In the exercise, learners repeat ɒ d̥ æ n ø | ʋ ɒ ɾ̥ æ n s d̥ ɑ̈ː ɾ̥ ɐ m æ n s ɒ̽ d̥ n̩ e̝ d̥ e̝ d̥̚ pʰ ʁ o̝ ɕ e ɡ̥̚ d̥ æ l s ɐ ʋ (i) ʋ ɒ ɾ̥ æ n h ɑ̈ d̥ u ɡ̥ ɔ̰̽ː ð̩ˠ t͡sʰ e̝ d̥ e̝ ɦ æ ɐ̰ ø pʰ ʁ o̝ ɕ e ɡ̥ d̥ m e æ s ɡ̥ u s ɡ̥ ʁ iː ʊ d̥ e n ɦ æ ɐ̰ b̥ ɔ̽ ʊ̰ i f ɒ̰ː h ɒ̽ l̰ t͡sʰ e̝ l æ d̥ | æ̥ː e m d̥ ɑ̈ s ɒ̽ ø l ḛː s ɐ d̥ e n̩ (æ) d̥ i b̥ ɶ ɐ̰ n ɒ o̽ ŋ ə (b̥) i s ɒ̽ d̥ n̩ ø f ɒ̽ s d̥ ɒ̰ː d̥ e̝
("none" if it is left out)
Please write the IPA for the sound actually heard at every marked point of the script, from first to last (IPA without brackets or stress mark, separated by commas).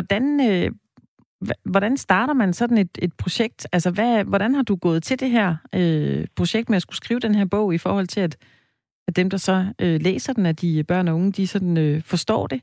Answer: æ, æ, d̥